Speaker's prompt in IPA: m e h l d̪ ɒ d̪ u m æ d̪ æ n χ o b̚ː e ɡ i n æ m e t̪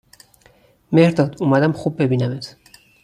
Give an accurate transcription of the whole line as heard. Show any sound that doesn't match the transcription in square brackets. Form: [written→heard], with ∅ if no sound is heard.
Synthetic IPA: m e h [l→ɾ] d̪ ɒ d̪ u m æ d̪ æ [n→m] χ [o→u] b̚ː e [ɡ→b] i n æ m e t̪